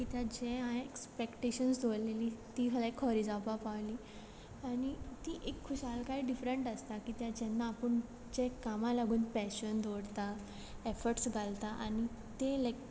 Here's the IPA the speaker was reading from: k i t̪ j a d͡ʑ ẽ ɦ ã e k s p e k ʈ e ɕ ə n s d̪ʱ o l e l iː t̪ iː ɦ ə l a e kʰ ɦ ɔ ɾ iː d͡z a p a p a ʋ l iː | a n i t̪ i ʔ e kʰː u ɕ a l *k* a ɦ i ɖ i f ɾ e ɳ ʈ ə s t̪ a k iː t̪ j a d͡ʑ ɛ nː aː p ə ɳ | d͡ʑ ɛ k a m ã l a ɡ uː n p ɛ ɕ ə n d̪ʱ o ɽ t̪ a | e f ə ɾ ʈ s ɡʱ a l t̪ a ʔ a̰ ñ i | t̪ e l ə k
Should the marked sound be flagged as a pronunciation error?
no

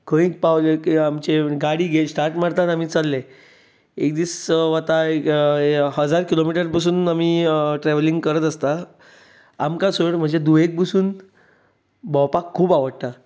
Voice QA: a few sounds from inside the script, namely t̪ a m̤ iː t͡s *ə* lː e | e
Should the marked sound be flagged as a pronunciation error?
yes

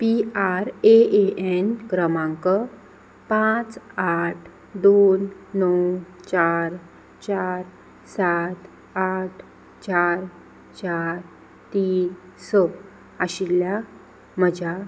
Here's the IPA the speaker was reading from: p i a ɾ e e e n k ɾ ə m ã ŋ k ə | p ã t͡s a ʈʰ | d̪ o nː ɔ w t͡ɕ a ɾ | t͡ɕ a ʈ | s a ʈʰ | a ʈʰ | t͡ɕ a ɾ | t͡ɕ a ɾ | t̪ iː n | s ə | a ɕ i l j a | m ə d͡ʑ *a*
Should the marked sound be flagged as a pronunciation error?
no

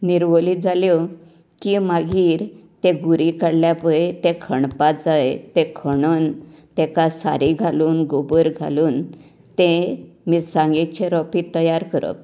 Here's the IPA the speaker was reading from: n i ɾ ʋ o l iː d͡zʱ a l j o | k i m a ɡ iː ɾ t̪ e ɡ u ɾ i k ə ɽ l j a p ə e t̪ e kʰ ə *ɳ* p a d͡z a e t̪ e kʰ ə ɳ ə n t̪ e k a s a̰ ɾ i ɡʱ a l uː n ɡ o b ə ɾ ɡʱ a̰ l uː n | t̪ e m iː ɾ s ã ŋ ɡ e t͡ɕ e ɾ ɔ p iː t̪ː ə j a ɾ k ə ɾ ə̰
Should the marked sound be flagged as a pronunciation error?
no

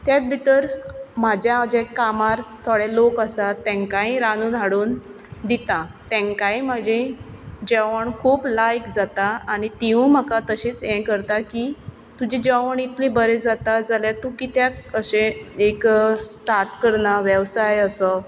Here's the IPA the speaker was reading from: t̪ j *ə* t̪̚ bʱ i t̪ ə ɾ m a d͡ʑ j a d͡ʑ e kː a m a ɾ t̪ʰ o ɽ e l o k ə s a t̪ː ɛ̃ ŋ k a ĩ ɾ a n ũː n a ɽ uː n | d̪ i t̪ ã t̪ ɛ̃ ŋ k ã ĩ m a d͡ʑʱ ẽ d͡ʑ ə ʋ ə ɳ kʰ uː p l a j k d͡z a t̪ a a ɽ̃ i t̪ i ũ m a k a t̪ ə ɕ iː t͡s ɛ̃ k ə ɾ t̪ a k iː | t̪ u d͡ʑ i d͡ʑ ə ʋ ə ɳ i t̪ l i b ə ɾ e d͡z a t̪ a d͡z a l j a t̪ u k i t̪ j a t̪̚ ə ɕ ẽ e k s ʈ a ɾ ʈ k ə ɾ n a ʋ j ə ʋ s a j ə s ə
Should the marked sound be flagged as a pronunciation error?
yes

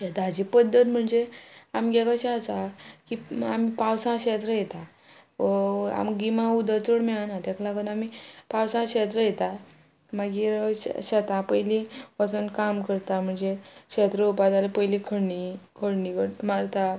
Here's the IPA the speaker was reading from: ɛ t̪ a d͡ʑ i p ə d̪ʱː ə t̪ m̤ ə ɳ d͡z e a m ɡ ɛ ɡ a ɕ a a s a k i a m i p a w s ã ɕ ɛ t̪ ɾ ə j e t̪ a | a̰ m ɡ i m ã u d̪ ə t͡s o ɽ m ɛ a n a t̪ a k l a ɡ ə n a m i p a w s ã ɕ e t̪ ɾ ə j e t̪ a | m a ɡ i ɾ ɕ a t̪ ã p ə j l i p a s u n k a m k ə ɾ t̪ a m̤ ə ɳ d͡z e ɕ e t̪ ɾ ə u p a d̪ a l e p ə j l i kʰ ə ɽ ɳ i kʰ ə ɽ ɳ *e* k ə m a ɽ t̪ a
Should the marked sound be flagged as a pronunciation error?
yes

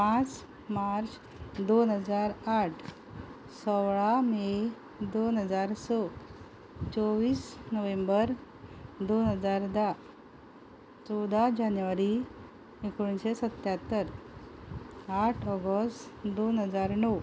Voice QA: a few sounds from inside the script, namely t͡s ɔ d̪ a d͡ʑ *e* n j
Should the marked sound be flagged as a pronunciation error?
yes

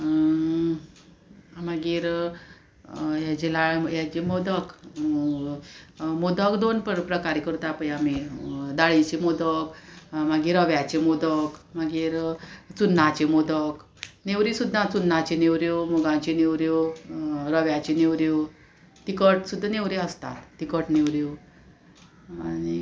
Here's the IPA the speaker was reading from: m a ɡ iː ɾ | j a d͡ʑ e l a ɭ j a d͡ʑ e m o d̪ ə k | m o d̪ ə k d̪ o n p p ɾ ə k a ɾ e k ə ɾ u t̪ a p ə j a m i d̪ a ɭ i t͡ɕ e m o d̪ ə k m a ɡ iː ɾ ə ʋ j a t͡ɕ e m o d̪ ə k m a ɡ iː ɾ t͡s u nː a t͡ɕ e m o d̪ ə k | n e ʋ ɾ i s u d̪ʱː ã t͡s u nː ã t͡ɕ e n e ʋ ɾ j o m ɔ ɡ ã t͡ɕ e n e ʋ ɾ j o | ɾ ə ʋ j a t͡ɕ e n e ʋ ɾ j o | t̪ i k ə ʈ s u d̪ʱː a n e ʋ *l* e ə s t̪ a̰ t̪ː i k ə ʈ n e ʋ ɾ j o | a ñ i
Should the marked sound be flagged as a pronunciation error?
yes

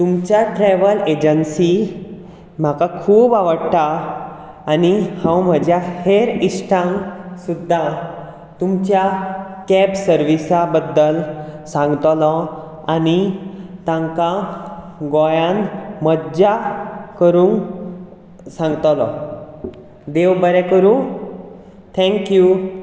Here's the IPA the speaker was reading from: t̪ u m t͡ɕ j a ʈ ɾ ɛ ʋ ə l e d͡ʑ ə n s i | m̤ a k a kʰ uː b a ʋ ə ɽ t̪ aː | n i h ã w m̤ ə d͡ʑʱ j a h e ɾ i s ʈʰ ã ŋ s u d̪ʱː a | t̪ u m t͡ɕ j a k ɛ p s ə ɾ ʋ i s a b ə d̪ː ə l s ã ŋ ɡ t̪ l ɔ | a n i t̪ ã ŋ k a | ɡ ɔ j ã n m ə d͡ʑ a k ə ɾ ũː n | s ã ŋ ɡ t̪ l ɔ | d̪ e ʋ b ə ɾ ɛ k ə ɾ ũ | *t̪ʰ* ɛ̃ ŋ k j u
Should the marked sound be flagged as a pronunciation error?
no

